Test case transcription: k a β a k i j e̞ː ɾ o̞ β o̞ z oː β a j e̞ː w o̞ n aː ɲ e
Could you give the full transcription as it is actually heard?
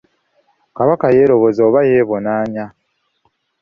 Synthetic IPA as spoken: k a β a k a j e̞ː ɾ o̞ β o̞ z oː β a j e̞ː β o̞ n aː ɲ a